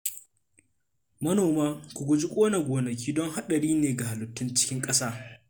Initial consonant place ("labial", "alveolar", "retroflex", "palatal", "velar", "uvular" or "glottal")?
labial